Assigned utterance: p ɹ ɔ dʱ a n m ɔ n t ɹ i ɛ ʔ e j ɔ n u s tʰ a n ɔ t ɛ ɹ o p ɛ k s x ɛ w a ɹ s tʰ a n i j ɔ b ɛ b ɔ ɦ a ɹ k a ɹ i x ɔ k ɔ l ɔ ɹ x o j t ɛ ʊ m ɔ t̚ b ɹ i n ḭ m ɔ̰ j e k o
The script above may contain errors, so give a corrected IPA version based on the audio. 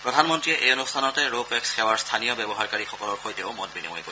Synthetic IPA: p ɹ ɔ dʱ a n m ɔ n t ɹ i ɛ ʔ e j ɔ n u s tʰ a n ɔ t ɛ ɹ o p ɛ k s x ɛ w a ɹ s tʰ a n i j ɔ b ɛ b ɔ ɦ a ɹ k a ɹ i x ɔ k ɔ l ɔ ɹ x o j t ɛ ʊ m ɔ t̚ b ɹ i n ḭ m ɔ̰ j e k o